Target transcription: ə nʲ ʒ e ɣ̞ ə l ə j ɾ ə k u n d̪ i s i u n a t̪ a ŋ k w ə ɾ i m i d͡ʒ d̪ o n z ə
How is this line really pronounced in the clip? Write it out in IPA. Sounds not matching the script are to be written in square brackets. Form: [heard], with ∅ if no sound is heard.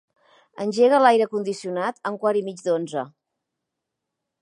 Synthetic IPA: ə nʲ ʒ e ɣ̞ ə l [a] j ɾ ə k u n d̪ i s i u n a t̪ [ə] ŋ k w [a] ɾ i m i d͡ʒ d̪ o n z ə